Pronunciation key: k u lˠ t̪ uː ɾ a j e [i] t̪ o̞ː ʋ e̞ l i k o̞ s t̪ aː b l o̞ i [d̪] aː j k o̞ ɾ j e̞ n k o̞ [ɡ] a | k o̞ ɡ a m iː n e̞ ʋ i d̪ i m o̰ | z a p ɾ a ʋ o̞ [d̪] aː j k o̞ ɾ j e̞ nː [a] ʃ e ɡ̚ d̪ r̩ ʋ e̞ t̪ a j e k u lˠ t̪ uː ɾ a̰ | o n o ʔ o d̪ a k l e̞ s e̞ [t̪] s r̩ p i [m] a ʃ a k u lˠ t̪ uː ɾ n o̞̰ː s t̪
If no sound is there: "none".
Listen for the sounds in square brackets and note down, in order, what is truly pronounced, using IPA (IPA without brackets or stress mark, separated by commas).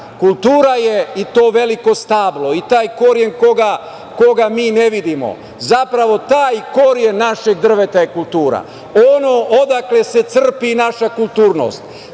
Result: i, t̪, ɡ, t̪, a, t̪, n